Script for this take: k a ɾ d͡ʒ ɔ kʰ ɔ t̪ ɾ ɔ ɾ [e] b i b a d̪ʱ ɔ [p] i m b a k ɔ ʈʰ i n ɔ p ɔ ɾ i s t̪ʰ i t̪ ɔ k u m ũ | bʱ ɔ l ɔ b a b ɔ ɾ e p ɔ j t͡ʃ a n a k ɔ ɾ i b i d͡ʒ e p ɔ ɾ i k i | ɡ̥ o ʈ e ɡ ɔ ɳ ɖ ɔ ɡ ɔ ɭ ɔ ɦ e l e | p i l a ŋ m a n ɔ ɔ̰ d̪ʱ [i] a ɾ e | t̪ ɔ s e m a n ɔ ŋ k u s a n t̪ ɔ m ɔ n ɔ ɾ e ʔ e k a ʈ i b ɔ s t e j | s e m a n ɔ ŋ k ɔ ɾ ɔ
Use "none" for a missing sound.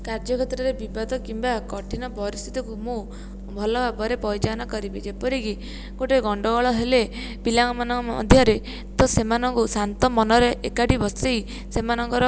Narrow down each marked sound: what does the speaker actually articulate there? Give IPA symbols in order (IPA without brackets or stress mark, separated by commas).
e, k, j